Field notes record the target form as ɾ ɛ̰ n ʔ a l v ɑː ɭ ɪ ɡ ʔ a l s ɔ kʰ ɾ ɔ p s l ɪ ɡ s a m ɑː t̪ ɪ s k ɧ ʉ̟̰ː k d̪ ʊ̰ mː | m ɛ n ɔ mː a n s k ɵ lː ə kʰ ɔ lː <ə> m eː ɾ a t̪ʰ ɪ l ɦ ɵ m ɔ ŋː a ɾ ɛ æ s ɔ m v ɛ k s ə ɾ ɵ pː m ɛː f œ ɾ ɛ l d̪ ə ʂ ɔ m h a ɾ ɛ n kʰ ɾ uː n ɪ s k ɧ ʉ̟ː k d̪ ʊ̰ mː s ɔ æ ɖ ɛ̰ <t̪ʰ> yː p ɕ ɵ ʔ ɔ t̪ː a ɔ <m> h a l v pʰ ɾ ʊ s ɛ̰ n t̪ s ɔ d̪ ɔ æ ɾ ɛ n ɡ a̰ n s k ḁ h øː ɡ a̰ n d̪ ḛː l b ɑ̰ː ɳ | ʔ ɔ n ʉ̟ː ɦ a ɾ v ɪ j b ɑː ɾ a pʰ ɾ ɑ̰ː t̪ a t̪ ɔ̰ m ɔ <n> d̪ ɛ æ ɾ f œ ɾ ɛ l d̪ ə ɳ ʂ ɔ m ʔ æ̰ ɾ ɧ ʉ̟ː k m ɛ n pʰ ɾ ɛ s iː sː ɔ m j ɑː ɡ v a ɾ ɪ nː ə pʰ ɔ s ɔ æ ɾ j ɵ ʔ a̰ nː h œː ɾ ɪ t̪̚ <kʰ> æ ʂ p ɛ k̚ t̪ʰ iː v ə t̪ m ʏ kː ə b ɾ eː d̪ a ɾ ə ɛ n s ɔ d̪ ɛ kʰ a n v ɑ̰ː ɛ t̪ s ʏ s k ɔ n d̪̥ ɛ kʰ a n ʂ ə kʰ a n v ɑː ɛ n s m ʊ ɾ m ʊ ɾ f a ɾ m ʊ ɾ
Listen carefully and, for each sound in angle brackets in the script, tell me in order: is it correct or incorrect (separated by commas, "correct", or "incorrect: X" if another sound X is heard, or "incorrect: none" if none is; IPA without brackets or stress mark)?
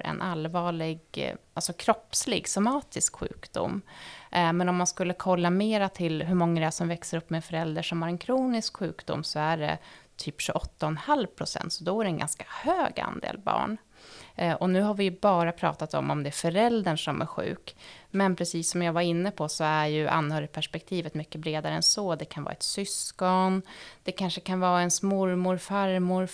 incorrect: a, correct, incorrect: n, incorrect: m, incorrect: pʰ